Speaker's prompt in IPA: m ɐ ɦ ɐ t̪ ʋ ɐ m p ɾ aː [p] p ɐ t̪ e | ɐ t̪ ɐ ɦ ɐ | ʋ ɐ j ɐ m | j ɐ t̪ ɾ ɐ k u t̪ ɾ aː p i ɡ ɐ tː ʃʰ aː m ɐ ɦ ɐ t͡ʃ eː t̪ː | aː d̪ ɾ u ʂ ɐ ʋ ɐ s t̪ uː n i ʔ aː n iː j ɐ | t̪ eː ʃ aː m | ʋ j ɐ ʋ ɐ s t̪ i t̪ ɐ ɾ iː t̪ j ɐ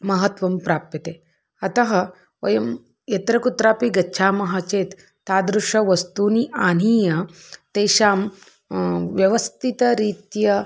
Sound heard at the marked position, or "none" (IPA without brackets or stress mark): p